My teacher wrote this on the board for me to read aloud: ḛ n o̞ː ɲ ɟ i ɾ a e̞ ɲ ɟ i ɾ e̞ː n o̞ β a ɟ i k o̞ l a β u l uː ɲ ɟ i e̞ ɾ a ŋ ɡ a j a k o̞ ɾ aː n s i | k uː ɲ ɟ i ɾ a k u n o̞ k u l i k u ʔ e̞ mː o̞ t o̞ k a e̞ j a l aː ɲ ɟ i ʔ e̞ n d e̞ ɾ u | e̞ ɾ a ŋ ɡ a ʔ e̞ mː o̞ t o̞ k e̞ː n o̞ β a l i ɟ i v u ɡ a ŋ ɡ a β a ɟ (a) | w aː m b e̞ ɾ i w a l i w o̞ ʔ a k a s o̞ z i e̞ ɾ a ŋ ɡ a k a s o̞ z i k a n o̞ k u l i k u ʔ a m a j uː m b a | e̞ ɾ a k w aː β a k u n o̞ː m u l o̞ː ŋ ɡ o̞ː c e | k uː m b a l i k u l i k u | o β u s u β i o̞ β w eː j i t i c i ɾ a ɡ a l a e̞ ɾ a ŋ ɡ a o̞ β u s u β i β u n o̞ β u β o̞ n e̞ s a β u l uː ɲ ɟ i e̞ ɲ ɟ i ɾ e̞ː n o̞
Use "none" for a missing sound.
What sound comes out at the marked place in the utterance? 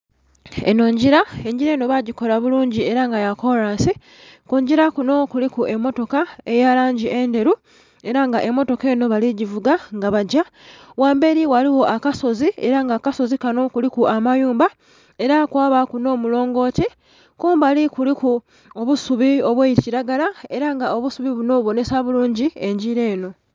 a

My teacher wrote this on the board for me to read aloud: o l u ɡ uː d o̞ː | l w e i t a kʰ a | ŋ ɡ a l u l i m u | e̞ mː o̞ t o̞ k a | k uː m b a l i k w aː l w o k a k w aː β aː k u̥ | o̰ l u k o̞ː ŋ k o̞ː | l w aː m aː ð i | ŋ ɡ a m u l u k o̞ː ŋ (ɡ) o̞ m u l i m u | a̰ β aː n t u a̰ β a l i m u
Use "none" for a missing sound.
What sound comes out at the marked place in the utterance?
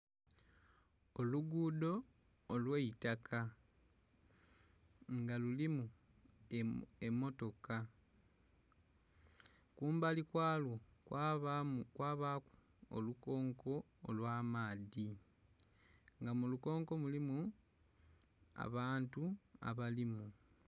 k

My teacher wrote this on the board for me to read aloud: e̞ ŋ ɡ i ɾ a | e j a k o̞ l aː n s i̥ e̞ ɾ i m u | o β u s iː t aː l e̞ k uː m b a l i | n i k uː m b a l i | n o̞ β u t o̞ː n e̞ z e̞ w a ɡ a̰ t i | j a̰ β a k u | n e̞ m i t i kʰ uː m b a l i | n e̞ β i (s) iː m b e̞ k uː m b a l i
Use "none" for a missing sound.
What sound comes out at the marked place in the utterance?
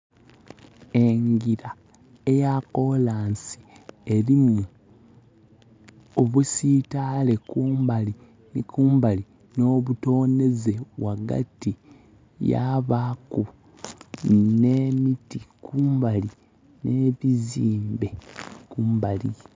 z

